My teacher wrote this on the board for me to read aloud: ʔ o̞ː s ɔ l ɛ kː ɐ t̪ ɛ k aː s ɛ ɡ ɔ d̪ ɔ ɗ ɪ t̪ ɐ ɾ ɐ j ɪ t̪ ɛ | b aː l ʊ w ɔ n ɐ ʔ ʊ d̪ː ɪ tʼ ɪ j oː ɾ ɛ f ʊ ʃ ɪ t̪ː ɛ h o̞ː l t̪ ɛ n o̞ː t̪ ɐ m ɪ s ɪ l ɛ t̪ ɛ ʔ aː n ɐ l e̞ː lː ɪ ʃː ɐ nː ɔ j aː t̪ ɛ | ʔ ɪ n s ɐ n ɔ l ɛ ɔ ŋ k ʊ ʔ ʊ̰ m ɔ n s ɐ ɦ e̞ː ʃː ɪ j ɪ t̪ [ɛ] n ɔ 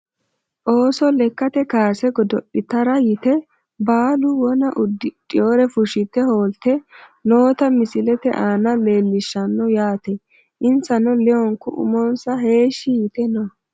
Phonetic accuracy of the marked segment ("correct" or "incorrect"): correct